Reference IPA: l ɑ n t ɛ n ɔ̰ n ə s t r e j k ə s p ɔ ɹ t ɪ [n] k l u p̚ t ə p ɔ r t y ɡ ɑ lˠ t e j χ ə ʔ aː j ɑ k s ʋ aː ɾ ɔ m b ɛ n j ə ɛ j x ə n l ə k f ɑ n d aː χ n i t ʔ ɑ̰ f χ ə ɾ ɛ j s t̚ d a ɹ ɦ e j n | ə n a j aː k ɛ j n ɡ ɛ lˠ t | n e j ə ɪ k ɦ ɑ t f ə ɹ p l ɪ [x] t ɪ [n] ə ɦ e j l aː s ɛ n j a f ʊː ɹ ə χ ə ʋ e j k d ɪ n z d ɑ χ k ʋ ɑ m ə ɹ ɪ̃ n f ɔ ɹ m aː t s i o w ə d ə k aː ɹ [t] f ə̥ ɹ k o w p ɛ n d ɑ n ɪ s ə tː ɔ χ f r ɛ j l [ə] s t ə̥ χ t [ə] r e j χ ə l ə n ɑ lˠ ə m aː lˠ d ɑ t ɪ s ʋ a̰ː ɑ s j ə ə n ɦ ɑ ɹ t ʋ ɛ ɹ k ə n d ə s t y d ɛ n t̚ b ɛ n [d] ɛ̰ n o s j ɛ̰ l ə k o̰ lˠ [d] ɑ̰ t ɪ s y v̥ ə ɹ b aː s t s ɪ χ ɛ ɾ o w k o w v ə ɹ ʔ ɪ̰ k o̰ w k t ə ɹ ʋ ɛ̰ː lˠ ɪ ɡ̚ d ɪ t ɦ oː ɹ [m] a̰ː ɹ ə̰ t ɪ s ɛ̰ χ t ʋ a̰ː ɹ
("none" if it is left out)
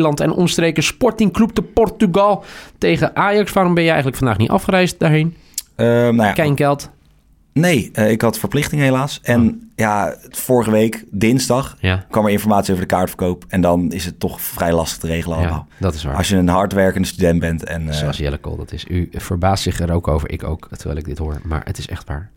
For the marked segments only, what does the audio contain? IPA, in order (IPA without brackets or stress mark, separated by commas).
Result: ŋ, χ, ŋ, t, ɑ, ə, t, d, m